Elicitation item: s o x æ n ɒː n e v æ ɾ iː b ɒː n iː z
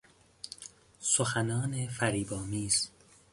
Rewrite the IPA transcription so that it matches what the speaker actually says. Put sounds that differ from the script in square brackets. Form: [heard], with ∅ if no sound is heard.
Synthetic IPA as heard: s o x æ n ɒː n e [f] æ ɾ iː b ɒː [m] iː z